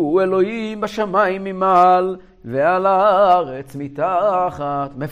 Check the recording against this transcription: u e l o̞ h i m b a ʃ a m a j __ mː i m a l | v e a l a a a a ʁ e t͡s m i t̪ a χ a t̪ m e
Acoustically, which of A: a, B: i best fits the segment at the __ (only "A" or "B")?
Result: B